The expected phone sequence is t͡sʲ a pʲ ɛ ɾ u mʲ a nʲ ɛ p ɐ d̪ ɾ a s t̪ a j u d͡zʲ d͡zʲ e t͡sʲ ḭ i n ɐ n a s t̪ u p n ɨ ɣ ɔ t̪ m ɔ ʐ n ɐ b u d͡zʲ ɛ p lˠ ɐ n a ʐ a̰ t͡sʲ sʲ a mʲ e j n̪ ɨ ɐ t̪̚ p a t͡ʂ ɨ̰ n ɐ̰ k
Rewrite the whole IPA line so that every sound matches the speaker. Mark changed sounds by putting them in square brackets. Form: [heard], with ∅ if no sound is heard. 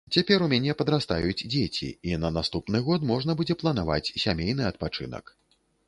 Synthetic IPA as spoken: t͡sʲ a pʲ ɛ ɾ u mʲ a nʲ ɛ p ɐ d̪ ɾ a s t̪ a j u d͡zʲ d͡zʲ e t͡sʲ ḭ i n ɐ n a s t̪ u p n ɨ ɣ ɔ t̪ m ɔ ʐ n ɐ b u d͡zʲ ɛ p lˠ ɐ n a [v] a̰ t͡sʲ sʲ a mʲ e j n̪ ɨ ɐ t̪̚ p a t͡ʂ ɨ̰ n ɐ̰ k